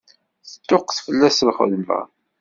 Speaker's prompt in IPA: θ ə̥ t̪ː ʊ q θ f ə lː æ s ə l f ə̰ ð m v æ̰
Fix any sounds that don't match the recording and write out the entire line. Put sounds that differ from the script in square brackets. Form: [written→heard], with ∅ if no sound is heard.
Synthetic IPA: θ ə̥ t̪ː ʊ q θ f ə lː æ s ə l [f→χ] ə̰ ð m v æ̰

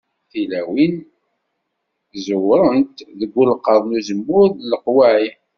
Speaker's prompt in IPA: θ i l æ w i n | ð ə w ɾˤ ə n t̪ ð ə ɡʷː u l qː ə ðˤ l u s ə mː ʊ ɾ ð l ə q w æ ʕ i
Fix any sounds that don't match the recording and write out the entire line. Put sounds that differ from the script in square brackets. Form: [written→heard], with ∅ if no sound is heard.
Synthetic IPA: θ i l æ w i n | [ð→z] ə w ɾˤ ə n t̪ ð ə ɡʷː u l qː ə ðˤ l u [s→z] ə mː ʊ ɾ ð l ə q w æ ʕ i

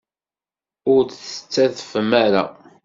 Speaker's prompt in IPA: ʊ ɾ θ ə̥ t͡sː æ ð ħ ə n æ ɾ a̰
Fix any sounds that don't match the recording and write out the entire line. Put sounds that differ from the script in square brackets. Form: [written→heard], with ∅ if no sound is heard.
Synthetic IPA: ʊ ɾ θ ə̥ t͡sː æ ð [ħ→f] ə [n→m] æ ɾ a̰

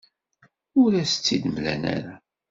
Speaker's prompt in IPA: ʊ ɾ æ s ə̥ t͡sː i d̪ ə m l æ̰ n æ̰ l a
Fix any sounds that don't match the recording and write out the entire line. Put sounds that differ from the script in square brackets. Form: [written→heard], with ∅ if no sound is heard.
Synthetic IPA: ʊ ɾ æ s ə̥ t͡sː i d̪ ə m l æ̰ n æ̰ [l→ɾ] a

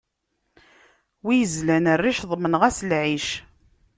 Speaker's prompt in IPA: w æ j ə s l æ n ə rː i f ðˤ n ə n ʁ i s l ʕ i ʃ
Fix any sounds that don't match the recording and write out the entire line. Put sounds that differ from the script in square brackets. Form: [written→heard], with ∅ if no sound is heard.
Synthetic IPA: w [æ→i] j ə [s→z] l æ n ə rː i [f→ʃ] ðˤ [n→m] ə n ʁ [i→æ] s l ʕ i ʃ

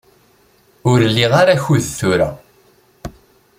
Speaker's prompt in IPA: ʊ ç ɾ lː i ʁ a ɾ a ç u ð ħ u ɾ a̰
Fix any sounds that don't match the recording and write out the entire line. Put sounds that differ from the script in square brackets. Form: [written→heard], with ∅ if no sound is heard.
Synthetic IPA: ʊ [ç→∅] ɾ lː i ʁ a ɾ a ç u ð [ħ→θ] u ɾ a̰

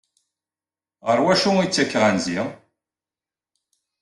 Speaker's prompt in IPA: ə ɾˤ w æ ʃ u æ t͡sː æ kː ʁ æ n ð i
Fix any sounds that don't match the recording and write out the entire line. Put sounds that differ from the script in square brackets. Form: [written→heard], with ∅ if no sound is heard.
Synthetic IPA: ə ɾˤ w æ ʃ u [æ→i] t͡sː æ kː ʁ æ n [ð→z] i

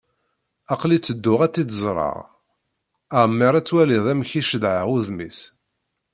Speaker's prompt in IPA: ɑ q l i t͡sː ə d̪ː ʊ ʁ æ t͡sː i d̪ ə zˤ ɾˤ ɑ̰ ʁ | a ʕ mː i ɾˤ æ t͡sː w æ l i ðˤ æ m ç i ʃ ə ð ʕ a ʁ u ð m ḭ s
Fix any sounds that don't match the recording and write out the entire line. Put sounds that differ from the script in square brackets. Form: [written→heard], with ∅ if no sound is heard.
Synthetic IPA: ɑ q l i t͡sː ə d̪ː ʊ ʁ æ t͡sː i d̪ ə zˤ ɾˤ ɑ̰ ʁ | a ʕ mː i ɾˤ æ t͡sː w æ l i ðˤ æ m ç i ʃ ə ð ʕ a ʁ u ð m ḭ s

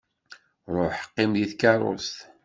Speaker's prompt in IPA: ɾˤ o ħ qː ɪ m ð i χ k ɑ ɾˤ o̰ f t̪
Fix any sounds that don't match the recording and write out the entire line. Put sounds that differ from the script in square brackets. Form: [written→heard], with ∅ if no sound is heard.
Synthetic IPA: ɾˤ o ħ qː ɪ m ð i [χ→θ] k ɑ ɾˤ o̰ [f→s] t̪

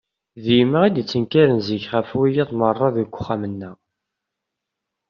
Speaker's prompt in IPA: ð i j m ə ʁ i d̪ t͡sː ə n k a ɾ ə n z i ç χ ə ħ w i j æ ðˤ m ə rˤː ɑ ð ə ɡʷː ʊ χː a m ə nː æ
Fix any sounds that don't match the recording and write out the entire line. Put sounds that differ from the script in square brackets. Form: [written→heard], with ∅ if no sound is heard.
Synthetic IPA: ð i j m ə ʁ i d̪ t͡sː ə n k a ɾ ə n z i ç χ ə [ħ→f] w i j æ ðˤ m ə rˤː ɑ ð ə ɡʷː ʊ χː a m ə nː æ

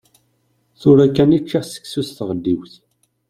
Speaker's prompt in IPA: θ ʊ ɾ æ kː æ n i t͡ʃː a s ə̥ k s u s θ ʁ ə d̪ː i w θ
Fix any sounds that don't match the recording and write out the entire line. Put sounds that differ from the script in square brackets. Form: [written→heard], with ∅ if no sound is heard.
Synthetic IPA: θ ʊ ɾ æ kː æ n i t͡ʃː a s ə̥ k s u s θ ʁ ə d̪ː i w θ

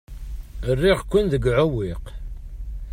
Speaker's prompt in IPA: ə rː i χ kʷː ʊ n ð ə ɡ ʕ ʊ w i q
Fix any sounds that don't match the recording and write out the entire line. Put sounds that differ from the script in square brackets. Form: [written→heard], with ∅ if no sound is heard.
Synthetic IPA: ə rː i [χ→ʁ] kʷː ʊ n ð ə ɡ ʕ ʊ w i q

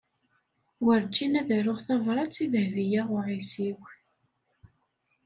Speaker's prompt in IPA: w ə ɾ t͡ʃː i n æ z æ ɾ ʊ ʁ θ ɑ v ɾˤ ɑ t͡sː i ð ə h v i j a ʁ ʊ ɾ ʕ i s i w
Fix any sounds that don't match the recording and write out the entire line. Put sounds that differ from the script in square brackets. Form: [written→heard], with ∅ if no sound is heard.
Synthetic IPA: w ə ɾ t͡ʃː i n æ [z→ð] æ ɾ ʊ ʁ θ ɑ v ɾˤ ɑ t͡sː i ð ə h v i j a ʁ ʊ [ɾ→∅] ʕ i s i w

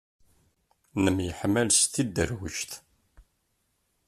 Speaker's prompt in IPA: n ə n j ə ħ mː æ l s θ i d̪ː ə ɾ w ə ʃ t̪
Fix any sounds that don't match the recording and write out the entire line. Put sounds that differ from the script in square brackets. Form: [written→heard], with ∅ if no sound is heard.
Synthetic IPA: n ə [n→m] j ə ħ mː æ l s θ i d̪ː ə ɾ w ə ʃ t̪

